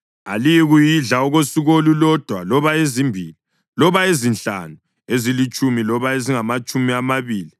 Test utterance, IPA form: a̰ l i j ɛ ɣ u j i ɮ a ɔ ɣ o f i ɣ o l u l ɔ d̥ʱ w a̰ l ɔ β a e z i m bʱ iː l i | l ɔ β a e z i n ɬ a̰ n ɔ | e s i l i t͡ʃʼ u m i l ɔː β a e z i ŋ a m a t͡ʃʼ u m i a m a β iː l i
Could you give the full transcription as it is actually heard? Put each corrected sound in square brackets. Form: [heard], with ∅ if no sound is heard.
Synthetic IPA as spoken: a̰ l i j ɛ ɣ u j i ɮ a ɔ ɣ o [s] i ɣ o l u l ɔ d̥ʱ w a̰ l ɔ β a e z i m bʱ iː l i | l ɔ β a e z i n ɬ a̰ n [u] | e [z] i l i t͡ʃʼ u m i l [ɔ] β a e z i ŋ a m a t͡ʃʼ u m i a m a β iː l i

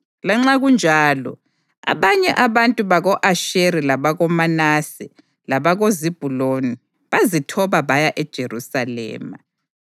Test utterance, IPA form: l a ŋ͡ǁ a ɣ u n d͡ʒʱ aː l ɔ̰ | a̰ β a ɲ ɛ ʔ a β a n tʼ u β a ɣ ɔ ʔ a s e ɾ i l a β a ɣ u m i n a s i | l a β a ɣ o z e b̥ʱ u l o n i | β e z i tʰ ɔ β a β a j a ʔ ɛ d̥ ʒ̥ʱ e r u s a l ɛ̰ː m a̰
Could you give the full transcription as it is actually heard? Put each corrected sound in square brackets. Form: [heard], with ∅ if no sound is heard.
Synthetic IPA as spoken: l a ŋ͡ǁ a ɣ u n d͡ʒʱ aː l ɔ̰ | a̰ β a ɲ ɛ ʔ a β a n tʼ u β a ɣ ɔ ʔ a [ʃ] e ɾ i l a β a ɣ [ɔ] m [a] n a s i | l a β a ɣ o z [i] b̥ʱ u l o n i | β [a] z i tʰ ɔ β a β a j a ʔ ɛ d̥ ʒ̥ʱ e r u s a l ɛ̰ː m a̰

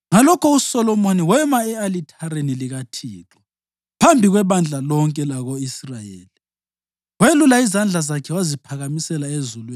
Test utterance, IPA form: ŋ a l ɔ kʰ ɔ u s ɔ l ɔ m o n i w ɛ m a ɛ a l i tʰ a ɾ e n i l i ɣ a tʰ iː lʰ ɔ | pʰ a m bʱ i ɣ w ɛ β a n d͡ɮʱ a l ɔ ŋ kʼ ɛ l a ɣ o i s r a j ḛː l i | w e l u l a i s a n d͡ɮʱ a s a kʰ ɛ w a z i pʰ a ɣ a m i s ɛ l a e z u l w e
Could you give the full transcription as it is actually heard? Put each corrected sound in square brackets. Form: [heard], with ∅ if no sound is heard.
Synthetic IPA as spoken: ŋ a l ɔ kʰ ɔ u s ɔ l ɔ m o n i w ɛ m a ɛ a l i tʰ a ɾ e n i l i ɣ a tʰ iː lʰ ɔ | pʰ a m bʱ i ɣ w ɛ β a n d͡ɮʱ a l ɔ ŋ kʼ ɛ l a ɣ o i s r a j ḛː l i | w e l u l a i [z] a n d͡ɮʱ a [z] a kʰ ɛ w a z i pʰ a ɣ a m i s ɛ l a e z u l w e

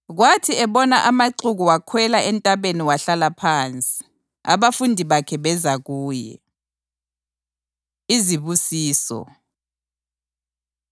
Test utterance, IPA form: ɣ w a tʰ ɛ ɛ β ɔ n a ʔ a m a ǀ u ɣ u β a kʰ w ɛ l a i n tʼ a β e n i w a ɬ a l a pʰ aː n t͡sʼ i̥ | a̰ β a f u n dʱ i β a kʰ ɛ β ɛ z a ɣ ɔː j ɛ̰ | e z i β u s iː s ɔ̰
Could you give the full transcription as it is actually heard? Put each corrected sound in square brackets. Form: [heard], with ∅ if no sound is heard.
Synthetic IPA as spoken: ɣ w a tʰ [i] ɛ β ɔ n a ʔ a m a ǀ u ɣ u [w] a kʰ w ɛ l a [ɛ] n tʼ a β e n i w a ɬ a l a pʰ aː n t͡sʼ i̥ | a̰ β a f u n dʱ i β a kʰ ɛ β ɛ z a ɣ [uː] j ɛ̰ | [i] z i β u s iː s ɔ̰

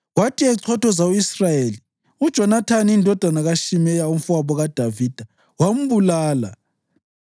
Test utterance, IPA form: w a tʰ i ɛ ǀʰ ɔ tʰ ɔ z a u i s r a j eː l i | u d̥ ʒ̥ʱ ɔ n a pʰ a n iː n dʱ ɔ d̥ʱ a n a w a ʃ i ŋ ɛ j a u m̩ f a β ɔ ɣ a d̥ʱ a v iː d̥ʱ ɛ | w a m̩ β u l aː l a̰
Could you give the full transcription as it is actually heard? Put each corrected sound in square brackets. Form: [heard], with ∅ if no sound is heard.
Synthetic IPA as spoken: w a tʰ i ɛ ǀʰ ɔ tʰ ɔ z a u i s r a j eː l i | u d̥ ʒ̥ʱ ɔ n a [tʰ] a n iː n dʱ ɔ d̥ʱ a n a [ɣ] a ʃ i [m] ɛ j a u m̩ f a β ɔ ɣ a d̥ʱ a v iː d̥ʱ [a] | w a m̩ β u l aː l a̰

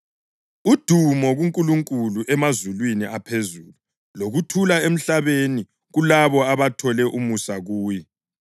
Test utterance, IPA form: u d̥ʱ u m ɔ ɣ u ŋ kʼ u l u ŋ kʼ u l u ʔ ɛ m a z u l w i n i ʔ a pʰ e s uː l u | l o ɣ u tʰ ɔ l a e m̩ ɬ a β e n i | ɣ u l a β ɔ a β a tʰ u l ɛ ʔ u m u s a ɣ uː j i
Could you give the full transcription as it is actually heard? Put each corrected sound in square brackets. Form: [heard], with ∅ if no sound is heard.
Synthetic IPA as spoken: u d̥ʱ u m ɔ ɣ u ŋ kʼ u l u ŋ kʼ u l u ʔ ɛ m a z u l w i n i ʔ a pʰ e [z] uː l u | l o ɣ u tʰ [u] l a e m̩ ɬ a β e n i | ɣ u l a β ɔ a β a tʰ [ɔ] l ɛ ʔ u m u s a ɣ uː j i

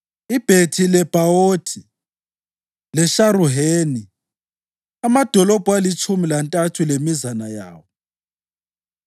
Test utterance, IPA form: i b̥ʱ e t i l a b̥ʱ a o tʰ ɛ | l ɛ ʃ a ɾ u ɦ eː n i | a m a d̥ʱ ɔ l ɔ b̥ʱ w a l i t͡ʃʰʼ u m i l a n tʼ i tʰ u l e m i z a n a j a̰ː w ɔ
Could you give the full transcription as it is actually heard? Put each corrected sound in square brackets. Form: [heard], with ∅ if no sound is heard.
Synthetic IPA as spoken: i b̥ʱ e [tʰ] i l [ɛ] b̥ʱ a o tʰ [i] | l ɛ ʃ a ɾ u ɦ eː n i | a m a d̥ʱ ɔ l ɔ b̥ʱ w a l i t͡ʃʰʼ u m i l a n tʼ [a] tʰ u l e m i z a n a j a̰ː w ɔ

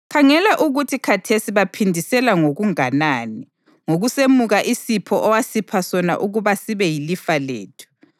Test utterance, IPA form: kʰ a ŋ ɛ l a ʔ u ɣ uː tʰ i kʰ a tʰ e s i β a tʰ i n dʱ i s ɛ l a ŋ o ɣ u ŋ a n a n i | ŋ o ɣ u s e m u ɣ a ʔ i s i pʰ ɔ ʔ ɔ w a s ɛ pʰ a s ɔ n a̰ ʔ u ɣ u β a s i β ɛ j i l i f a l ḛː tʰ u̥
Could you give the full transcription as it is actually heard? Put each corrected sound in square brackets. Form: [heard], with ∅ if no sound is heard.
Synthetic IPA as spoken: kʰ a ŋ ɛ l a ʔ u ɣ [u] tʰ i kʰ a tʰ e s i β a [pʰ] i n dʱ i s ɛ l a ŋ o ɣ u ŋ a n a n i | ŋ o ɣ u s e m u ɣ a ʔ i s i pʰ ɔ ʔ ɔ w a s [i] pʰ a s ɔ n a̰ ʔ u ɣ u β a s i β ɛ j i l i f a l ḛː tʰ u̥

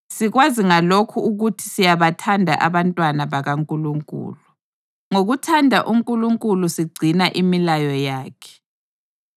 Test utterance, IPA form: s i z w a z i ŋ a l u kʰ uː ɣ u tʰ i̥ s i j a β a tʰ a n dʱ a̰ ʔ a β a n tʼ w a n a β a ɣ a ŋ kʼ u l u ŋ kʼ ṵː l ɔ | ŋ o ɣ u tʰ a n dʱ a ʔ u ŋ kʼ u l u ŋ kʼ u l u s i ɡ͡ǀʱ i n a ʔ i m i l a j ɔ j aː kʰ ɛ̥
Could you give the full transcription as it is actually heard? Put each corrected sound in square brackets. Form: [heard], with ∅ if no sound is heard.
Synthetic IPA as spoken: s i [ɣ] w a z i ŋ a l [o] kʰ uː ɣ u tʰ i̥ s i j a β a tʰ a n dʱ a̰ ʔ a β a n tʼ w a n a β a ɣ a ŋ kʼ u l u ŋ kʼ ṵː l [u] | ŋ o ɣ u tʰ a n dʱ a ʔ u ŋ kʼ u l u ŋ kʼ u l u s i ɡ͡ǀʱ i n a ʔ i m i l a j ɔ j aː kʰ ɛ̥

